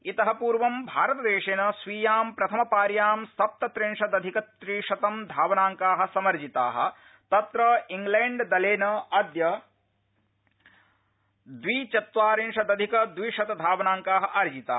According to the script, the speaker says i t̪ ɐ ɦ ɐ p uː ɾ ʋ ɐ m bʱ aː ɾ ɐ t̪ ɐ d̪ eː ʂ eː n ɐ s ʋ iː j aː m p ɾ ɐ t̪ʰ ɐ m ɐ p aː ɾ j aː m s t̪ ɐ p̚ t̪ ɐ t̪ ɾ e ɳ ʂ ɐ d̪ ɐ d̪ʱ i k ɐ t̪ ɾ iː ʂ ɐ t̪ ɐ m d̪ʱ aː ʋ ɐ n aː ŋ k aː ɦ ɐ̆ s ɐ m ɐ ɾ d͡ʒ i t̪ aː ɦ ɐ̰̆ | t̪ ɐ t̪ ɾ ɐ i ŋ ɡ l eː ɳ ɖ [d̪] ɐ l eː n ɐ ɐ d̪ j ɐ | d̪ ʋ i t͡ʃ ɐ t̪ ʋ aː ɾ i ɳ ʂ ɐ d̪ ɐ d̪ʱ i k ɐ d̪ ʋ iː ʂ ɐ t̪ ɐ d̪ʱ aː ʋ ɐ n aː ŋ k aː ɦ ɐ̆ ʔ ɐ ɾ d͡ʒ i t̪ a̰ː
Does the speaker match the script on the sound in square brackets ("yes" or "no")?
yes